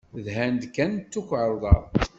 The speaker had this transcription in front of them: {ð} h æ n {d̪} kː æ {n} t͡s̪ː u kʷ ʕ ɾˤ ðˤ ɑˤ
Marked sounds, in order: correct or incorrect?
correct, correct, correct

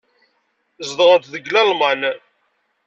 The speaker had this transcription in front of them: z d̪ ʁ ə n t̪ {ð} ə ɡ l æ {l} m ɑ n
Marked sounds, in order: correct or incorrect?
correct, correct

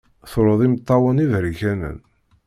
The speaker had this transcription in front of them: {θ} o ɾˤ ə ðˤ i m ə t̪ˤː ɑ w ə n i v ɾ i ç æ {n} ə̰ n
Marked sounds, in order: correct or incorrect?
correct, correct

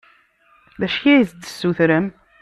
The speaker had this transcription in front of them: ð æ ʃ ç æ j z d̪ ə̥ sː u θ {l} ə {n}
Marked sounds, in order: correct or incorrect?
incorrect: ɾ, incorrect: m

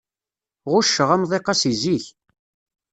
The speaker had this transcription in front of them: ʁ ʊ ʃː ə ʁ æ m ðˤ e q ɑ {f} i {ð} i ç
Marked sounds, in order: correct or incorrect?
incorrect: s, incorrect: z

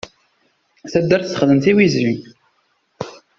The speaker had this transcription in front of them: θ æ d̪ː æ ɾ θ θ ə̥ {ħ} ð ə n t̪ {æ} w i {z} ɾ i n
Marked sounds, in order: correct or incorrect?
incorrect: χ, incorrect: i, correct

